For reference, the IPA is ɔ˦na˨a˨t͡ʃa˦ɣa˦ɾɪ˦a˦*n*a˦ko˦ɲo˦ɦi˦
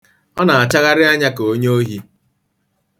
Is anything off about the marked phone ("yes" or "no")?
yes